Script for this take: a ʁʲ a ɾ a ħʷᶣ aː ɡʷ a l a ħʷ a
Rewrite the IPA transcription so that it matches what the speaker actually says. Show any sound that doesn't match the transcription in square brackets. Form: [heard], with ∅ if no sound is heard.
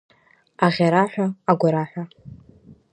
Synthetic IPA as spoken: a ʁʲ a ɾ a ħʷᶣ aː ɡʷ a [ɾ] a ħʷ a